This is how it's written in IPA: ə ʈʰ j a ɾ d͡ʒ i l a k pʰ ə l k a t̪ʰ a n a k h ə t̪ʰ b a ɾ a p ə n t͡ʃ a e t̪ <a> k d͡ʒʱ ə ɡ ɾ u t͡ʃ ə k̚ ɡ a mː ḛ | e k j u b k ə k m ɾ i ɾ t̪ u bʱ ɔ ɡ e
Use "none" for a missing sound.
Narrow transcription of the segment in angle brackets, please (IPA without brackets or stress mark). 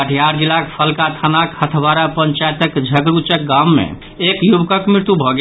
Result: ə